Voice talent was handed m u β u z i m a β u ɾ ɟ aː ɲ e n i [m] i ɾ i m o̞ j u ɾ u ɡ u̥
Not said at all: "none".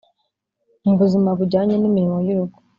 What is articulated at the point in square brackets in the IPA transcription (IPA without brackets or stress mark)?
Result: m